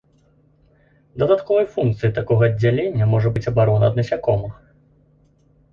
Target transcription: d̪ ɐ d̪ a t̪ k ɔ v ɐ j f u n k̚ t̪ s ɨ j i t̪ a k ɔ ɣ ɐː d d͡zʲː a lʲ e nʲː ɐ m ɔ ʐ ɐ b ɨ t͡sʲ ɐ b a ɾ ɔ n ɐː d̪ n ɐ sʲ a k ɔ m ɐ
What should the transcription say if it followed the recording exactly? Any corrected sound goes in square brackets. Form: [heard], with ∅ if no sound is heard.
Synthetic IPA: d̪ ɐ d̪ a t̪ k ɔ v ɐ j f u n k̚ t̪ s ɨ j i t̪ a k ɔ ɣ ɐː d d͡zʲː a lʲ e nʲː ɐ m ɔ ʐ ɐ b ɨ t͡sʲ ɐ b a ɾ ɔ n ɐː d̪ n ɐ sʲ a k ɔ m ɐ